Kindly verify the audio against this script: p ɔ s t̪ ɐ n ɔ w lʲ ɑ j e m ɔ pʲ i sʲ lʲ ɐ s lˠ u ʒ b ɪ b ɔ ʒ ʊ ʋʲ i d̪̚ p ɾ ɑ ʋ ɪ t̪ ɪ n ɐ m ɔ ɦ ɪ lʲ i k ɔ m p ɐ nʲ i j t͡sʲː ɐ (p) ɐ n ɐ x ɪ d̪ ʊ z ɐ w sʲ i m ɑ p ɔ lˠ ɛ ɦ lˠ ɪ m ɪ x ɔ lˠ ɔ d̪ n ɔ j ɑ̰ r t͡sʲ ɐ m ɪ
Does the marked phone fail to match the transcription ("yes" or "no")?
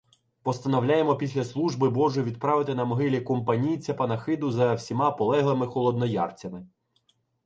no